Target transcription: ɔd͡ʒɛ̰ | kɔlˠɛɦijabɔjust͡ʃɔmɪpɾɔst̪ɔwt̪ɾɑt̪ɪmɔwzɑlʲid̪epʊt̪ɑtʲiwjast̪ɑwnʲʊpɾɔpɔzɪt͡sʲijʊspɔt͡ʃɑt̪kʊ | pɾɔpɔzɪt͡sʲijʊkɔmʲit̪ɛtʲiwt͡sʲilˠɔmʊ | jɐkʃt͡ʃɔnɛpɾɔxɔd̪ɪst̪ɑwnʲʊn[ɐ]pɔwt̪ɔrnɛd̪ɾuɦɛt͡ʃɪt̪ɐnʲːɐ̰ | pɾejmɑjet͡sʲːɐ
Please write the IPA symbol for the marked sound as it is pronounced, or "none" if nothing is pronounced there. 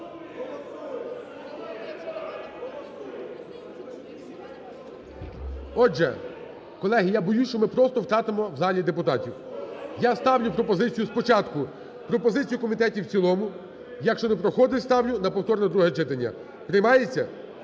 ɐ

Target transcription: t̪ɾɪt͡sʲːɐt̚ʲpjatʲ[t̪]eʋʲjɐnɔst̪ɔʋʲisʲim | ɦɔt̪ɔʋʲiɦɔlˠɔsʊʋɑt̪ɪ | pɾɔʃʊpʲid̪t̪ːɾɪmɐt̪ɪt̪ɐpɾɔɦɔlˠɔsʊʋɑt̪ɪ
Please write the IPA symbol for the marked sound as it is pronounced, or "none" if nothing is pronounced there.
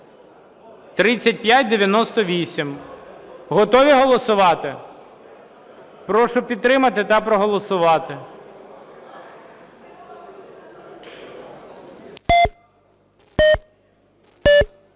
d̪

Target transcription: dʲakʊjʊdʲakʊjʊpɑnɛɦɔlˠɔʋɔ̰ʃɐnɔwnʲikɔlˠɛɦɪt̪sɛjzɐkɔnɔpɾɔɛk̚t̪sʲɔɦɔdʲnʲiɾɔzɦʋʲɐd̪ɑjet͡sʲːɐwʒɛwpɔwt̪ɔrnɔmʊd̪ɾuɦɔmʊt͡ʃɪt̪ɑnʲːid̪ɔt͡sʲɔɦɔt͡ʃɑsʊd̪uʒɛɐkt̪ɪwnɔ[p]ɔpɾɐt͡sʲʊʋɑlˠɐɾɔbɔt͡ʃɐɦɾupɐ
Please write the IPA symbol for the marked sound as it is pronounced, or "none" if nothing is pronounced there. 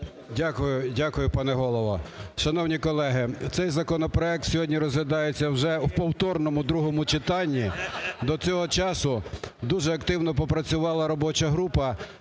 p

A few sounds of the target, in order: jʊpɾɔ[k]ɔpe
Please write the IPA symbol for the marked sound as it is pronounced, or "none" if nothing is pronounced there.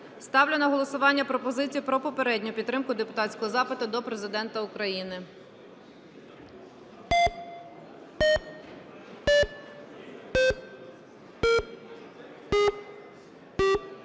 p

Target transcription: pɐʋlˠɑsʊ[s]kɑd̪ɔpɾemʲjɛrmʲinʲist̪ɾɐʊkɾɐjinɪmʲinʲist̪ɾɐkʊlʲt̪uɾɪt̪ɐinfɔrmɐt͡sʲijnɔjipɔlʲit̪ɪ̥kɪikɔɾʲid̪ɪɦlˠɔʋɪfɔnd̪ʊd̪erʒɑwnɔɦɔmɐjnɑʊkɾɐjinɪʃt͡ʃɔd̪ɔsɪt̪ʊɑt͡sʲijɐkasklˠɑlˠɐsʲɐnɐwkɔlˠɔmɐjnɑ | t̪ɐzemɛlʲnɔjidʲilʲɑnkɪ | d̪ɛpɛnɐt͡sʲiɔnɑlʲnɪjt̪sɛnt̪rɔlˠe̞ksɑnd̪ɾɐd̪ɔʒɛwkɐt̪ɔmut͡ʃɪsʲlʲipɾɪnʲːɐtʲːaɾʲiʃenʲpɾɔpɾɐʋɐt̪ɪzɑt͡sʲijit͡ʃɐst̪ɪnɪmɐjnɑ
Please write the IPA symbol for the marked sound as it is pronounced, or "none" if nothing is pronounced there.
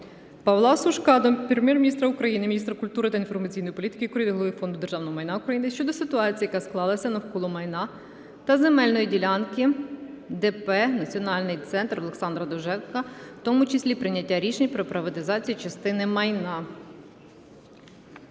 ʃ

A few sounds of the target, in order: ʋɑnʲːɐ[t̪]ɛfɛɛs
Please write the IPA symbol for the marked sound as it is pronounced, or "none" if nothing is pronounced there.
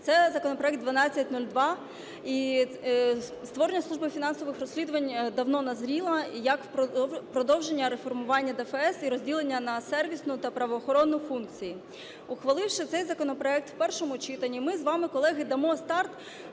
d̪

